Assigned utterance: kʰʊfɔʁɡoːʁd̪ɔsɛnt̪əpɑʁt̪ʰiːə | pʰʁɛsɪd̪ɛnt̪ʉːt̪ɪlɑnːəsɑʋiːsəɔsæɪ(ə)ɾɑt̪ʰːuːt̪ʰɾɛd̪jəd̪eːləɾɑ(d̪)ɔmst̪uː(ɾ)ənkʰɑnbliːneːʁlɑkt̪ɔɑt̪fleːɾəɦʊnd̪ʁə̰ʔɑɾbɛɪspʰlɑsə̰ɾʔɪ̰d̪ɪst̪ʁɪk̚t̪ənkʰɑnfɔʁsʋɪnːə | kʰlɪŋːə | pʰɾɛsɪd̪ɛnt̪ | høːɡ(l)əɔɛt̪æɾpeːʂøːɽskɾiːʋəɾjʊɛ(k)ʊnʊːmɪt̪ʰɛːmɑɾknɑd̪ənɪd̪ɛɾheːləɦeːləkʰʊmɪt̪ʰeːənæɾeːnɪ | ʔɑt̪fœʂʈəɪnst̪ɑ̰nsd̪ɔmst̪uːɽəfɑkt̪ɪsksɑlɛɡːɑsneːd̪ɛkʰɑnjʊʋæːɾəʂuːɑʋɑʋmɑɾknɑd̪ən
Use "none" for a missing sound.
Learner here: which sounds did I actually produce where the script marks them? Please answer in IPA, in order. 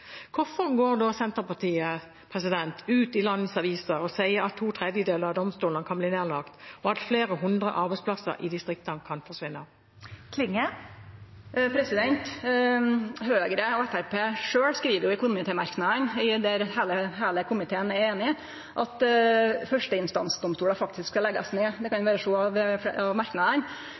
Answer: ə, d̪, l, ɾ, k

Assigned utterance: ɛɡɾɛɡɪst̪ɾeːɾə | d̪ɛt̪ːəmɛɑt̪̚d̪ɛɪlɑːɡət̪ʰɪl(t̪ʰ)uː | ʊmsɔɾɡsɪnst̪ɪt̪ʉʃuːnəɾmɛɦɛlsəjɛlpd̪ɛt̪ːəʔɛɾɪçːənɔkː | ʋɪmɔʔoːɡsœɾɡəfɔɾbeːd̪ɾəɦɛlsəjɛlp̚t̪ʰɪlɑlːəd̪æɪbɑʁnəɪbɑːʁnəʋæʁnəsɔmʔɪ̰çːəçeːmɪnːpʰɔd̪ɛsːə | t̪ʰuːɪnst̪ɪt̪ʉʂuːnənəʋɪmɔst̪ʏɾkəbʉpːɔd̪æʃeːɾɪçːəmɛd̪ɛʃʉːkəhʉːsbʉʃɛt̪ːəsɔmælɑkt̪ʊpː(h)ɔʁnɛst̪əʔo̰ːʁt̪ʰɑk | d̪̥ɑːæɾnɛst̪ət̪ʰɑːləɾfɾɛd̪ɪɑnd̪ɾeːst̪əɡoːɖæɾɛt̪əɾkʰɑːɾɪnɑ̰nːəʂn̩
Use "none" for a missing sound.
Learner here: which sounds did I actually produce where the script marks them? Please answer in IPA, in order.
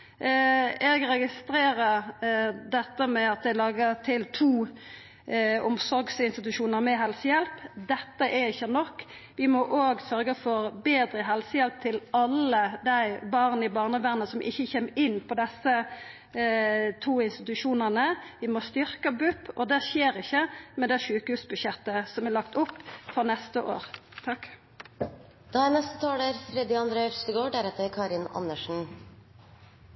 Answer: t̪ʰ, f

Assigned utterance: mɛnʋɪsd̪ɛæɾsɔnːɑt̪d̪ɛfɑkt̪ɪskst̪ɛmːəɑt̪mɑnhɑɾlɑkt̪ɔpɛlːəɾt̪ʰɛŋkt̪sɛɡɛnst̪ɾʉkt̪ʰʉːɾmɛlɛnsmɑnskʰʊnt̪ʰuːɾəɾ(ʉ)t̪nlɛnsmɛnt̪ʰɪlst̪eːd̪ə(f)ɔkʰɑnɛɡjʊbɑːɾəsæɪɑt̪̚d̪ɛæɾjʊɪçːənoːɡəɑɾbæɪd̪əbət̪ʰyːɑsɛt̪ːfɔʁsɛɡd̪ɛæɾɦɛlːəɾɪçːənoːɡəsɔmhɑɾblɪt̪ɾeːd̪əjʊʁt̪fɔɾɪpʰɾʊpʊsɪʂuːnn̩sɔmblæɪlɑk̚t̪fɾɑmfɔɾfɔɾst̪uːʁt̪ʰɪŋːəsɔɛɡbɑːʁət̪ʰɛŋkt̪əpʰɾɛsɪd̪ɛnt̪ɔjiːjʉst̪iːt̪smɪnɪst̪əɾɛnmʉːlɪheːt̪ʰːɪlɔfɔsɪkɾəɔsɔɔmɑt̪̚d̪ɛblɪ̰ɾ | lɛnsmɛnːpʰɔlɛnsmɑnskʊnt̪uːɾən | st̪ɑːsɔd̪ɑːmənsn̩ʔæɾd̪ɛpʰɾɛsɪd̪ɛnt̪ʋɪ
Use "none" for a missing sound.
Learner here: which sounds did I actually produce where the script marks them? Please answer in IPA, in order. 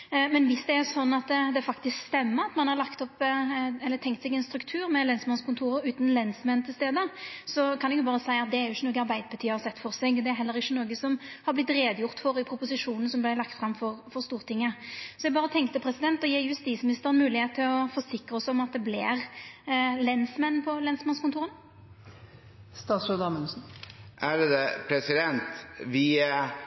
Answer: ʉː, s

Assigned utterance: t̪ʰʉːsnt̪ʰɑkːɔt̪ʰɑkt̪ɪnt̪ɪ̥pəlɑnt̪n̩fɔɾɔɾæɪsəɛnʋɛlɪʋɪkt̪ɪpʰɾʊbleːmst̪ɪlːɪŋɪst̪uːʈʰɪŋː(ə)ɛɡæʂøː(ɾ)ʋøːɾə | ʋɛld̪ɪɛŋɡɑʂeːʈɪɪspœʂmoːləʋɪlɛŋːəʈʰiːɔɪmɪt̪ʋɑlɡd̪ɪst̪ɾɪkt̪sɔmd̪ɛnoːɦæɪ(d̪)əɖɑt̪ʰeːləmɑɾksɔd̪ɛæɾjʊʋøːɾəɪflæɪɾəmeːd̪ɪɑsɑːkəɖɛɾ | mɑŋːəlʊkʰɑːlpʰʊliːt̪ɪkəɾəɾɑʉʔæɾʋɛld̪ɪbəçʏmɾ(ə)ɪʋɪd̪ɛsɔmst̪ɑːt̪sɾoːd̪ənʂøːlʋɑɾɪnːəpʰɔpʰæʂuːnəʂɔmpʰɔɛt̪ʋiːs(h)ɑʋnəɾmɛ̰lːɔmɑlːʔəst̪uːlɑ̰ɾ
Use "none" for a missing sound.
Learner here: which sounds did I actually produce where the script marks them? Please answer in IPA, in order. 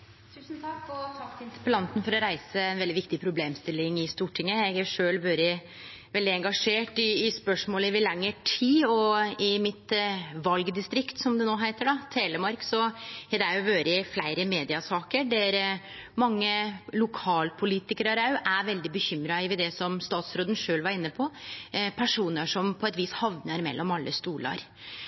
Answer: ə, l, t̪, ɑ, h

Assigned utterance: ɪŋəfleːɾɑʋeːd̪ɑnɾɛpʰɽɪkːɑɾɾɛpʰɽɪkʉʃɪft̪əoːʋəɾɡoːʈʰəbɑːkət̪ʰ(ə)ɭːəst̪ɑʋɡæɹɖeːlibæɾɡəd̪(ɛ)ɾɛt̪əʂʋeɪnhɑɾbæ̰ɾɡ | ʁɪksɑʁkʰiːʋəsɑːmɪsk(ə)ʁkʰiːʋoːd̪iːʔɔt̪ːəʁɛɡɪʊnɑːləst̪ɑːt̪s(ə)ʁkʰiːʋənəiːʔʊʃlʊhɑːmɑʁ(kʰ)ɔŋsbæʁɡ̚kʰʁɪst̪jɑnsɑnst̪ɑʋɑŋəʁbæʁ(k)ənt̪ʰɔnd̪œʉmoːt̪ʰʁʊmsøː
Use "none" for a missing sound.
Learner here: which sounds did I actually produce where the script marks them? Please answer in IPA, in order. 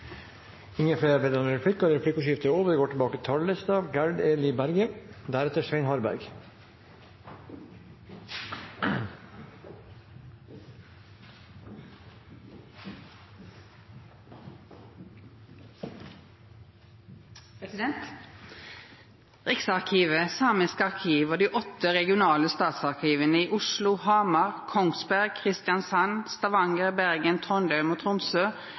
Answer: ɑ, æ, ɑ, ɑ, kʰ, ɡ

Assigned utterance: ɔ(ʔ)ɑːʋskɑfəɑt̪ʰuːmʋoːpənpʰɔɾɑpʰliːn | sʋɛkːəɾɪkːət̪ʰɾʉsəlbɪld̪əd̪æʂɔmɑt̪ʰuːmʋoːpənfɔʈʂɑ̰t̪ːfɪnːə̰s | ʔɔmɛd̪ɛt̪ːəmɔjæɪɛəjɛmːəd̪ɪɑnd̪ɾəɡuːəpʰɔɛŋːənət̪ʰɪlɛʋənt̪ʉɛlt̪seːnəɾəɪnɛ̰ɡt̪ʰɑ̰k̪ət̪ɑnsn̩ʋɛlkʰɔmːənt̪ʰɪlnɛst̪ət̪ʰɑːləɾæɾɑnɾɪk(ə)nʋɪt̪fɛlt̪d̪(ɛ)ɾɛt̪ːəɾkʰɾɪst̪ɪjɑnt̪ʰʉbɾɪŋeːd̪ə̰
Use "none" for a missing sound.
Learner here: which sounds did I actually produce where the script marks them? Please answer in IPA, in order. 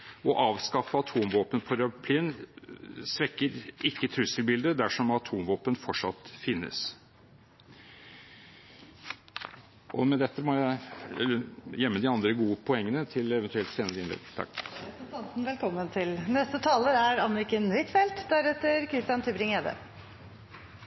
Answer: ʔ, ə, æ

